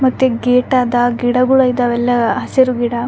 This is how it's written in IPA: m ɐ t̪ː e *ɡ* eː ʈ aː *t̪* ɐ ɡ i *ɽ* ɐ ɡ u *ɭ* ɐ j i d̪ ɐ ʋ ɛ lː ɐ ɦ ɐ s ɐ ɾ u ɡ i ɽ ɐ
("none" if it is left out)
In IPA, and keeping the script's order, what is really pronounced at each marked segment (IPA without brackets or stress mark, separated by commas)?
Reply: ɡ, d̪, ɽ, ɭ